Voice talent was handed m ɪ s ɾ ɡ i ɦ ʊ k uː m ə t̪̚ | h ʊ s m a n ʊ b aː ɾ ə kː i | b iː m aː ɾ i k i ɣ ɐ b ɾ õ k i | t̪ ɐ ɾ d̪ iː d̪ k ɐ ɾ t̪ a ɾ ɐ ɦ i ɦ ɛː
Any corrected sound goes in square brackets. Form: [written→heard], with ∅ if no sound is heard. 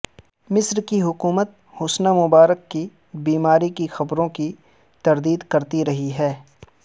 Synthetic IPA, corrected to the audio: m ɪ s ɾ [ɡ→k] i ɦ ʊ k uː m ə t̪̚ | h ʊ s [m→n] a [n→m] ʊ b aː ɾ ə kː i | b iː m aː ɾ i k i [ɣ→x] ɐ b ɾ õ k i | t̪ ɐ ɾ d̪ iː d̪ k ɐ ɾ t̪ [a→i] ɾ ɐ ɦ i ɦ ɛː